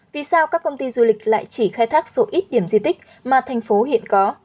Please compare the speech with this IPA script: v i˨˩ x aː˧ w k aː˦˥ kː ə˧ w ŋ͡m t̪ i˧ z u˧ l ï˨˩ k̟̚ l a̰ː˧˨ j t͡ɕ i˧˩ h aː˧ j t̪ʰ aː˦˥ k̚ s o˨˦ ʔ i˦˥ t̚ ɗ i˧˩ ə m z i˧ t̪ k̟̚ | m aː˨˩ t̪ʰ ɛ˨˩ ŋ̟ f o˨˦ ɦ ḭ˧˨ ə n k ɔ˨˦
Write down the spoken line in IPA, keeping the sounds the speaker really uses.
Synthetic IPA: v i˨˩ s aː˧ w k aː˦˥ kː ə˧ w ŋ͡m t̪ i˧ z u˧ l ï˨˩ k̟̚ l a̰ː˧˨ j t͡ɕ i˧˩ x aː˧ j t̪ʰ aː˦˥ k̚ s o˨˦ ʔ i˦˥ t̚ ɗ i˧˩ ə m z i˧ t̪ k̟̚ | m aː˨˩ t̪ʰ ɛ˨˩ ŋ̟ f o˨˦ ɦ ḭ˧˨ ə n k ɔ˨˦

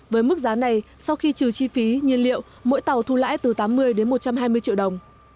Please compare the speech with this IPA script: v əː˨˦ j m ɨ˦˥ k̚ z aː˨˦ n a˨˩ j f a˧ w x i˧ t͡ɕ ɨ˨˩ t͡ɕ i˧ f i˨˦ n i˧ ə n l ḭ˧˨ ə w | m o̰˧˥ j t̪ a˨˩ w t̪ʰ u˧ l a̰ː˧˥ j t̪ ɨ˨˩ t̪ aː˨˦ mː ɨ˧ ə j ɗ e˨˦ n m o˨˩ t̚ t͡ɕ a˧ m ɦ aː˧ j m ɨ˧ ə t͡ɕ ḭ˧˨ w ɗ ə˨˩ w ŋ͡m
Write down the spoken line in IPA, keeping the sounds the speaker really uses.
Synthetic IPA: v əː˨˦ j m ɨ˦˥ k̚ z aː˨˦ n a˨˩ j s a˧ w x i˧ t͡ɕ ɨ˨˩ t͡ɕ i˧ f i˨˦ ɲ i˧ ə n l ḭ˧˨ ə w | m o̰˧˥ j t̪ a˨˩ w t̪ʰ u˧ l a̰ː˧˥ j t̪ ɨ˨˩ t̪ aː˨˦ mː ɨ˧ ə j ɗ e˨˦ n m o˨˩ t̚ t͡ɕ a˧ m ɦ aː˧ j m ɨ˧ ə t͡ɕ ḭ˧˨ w ɗ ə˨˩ w ŋ͡m

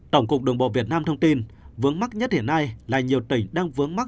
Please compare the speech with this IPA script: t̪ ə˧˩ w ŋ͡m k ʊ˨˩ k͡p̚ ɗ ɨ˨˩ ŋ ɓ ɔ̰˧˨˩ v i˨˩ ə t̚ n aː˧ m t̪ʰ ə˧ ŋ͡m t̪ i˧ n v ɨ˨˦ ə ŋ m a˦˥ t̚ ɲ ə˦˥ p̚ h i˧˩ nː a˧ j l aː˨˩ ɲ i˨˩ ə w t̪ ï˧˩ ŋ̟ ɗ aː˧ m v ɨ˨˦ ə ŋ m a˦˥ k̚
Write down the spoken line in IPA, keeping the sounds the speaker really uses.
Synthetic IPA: t̪ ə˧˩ w ŋ͡m k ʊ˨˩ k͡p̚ ɗ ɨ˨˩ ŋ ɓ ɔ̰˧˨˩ v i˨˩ ə t̚ n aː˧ m t̪ʰ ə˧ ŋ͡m t̪ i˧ n v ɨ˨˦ ə ŋ m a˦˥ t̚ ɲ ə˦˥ t̚ h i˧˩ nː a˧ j l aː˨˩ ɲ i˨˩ ə w t̪ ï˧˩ ŋ̟ ɗ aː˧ ŋ v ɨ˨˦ ə ŋ m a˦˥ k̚

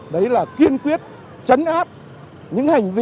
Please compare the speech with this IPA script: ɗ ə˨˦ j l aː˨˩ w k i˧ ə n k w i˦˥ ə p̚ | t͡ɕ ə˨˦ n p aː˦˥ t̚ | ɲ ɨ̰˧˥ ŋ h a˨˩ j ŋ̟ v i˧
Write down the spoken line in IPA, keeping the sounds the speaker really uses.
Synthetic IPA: ɗ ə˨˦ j l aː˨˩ k i˧ ə n k w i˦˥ ə t̚ | t͡ɕ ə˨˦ n ʔ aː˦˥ p̚ | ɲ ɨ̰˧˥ ŋ h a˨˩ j ŋ̟ v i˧

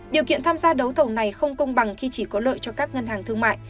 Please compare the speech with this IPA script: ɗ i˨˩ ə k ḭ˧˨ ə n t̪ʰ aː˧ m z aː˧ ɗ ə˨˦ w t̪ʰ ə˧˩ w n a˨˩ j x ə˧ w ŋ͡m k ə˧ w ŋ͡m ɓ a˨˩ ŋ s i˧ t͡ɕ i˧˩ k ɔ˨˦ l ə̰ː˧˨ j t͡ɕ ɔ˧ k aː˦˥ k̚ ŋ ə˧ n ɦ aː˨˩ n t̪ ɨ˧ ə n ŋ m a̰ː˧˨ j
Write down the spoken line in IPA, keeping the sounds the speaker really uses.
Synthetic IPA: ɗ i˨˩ ə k ḭ˧˨ ə n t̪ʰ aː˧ m z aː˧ ɗ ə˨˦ w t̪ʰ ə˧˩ w n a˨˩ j x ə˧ w ŋ͡m k ə˧ w ŋ͡m ɓ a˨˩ ŋ x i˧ t͡ɕ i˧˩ k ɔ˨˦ l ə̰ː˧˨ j t͡ɕ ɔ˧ k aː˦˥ k̚ ŋ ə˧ n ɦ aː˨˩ ŋ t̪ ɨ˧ ə ŋ m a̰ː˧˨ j

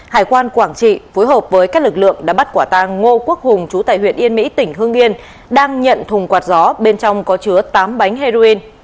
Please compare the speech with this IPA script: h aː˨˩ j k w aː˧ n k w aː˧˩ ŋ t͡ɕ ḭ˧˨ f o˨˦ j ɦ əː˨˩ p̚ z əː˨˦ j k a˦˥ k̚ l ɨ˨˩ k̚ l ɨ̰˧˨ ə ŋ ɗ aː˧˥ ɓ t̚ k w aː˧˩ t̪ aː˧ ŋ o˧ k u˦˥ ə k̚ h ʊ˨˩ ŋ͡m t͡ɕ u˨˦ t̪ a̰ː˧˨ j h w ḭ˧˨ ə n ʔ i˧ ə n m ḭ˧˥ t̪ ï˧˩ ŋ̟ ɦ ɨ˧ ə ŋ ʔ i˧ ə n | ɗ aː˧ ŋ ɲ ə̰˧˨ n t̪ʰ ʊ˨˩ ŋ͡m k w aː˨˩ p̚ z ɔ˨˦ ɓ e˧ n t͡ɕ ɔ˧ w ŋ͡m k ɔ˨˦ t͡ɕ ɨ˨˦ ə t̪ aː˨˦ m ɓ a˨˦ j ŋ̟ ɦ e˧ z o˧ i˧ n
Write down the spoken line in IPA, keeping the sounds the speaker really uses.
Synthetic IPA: h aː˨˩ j k w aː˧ n k w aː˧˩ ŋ t͡ɕ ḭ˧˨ f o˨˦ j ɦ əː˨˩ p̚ v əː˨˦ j k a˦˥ k̚ l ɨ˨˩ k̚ l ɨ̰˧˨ ə ŋ ɗ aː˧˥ ɓ t̚ k w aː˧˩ t̪ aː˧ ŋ o˧ k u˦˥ ə k̚ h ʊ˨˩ ŋ͡m t͡ɕ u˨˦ t̪ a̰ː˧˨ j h w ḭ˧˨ ə n ʔ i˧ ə n m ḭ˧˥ t̪ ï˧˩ ŋ̟ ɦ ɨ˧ ə ŋ ʔ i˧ ə n | ɗ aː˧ ŋ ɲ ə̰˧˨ n t̪ʰ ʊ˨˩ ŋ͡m k w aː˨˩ t̚ z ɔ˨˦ ɓ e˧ n t͡ɕ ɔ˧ w ŋ͡m k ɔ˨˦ t͡ɕ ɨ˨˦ ə t̪ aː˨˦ m ɓ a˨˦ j ŋ̟ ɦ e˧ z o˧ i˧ n

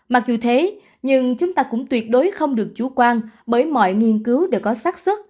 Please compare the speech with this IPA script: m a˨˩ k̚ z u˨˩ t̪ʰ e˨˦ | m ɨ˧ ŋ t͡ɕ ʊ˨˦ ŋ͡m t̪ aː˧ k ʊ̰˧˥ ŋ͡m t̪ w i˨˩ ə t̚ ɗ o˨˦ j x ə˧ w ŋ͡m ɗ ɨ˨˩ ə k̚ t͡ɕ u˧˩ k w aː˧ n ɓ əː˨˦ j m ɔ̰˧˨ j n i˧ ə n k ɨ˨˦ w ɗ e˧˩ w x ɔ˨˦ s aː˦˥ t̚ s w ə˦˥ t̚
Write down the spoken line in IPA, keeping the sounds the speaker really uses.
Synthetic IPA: m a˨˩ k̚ z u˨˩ t̪ʰ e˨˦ | ɲ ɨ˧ ŋ t͡ɕ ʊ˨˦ ŋ͡m t̪ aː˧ k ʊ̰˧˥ ŋ͡m t̪ w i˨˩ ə t̚ ɗ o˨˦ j x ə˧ w ŋ͡m ɗ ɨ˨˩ ə k̚ t͡ɕ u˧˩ k w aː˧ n ɓ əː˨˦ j m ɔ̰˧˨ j ŋ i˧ ə n k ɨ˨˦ w ɗ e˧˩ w k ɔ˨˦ s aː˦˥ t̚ s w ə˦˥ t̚

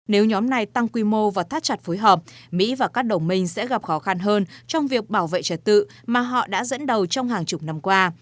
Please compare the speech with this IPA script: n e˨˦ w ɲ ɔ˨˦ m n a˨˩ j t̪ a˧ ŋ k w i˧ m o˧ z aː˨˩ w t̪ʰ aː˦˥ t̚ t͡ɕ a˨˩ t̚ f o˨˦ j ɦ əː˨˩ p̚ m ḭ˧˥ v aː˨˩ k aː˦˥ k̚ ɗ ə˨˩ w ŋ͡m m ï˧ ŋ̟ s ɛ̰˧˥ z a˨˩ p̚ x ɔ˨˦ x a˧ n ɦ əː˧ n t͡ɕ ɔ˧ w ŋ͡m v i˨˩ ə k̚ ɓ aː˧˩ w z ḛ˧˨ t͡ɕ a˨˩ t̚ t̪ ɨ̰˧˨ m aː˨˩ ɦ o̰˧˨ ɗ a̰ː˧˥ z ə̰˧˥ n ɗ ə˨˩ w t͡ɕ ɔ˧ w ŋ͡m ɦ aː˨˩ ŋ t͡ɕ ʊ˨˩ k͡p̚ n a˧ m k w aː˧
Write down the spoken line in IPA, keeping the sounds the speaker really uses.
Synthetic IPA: n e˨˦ w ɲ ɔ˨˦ m n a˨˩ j t̪ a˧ ŋ k w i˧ m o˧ v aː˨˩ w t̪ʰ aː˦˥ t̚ t͡ɕ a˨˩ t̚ f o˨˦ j ɦ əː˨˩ p̚ m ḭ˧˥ v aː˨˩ k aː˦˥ k̚ ɗ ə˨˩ w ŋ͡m m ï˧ ŋ̟ s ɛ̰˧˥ ɣ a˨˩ p̚ x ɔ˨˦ x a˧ n ɦ əː˧ n t͡ɕ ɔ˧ w ŋ͡m v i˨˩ ə k̚ ɓ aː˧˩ w v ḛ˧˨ t͡ɕ ə˨˩ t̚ t̪ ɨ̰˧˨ m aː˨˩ ɦ ɔ̰˧˨ ɗ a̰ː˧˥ z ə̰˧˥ n ɗ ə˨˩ w t͡ɕ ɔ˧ w ŋ͡m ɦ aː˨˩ ŋ t͡ɕ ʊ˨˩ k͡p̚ n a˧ m k w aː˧

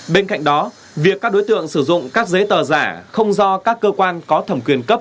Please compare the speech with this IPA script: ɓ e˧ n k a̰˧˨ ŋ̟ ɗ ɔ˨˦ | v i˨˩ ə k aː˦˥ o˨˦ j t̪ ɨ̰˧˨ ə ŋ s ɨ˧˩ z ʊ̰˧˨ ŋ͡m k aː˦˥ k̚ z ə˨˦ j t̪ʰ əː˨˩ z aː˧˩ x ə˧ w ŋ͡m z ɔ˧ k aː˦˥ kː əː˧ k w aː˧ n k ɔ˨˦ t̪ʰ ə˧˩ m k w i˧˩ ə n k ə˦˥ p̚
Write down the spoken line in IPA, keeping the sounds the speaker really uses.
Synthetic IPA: ɓ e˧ n k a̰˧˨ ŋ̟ ɗ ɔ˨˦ | v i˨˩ ə k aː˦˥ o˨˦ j t̪ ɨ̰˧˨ ə ŋ s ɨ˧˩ z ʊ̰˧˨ ŋ͡m k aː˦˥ k̚ z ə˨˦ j t̪ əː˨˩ z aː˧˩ x ə˧ w ŋ͡m z ɔ˧ k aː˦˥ kː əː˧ k w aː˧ n k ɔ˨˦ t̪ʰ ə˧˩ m k w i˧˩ ə n k ə˦˥ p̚

